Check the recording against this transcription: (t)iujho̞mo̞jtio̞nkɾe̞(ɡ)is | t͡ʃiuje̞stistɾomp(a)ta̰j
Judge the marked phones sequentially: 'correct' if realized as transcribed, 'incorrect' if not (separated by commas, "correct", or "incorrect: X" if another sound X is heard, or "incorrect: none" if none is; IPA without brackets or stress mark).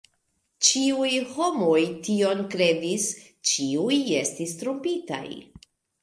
incorrect: t͡ʃ, incorrect: d, incorrect: i